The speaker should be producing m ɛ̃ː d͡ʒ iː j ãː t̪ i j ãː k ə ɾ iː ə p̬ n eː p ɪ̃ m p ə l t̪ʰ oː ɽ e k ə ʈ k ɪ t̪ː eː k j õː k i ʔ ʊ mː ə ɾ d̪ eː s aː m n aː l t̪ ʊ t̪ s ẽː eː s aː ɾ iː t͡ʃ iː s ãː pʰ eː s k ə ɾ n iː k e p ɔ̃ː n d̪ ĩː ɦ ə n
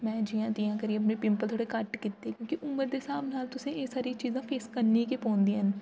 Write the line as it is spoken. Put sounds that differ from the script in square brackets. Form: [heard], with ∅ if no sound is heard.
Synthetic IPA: m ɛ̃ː d͡ʒ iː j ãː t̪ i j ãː k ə ɾ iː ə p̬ n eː p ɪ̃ m p ə l t̪ʰ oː ɽ e k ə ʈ k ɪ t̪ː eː k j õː k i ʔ ʊ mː ə ɾ d̪ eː s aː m n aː l t̪ ʊ [∅] s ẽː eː s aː ɾ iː t͡ʃ iː [z] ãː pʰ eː s k ə ɾ n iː k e p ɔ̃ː n d̪ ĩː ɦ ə n